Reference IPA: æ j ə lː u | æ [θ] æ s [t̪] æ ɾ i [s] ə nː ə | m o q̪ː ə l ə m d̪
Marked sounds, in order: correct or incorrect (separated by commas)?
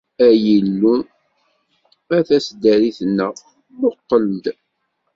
correct, incorrect, incorrect